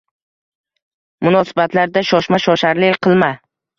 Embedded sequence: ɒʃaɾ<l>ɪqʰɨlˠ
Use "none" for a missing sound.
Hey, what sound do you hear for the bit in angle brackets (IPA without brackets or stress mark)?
l